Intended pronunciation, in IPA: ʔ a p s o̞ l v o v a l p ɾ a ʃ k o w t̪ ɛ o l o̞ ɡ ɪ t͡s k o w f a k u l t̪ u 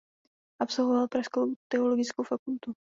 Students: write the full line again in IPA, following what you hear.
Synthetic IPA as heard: ʔ a p s o̞ l v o v a l p ɾ a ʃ k o w t̪ ɛ o l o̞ ɡ ɪ t͡s k o w f a k u l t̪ u